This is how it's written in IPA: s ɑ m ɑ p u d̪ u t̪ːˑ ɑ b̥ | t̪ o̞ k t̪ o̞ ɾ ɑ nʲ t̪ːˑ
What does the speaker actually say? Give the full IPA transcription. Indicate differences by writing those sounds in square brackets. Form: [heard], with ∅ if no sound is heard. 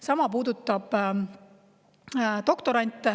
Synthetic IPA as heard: s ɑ m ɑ p [uː] d̪ u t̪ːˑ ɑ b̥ | t̪ o̞ k t̪ o̞ ɾ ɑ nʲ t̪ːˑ